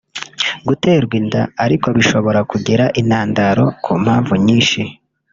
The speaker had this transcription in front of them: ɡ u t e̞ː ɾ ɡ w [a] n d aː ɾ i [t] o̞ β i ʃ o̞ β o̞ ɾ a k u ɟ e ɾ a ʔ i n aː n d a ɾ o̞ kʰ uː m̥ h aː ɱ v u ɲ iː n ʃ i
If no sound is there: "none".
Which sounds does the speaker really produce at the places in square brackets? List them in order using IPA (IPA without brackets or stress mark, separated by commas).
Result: i, k